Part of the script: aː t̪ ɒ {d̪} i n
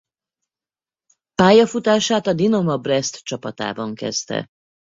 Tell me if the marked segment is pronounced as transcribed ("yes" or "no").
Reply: yes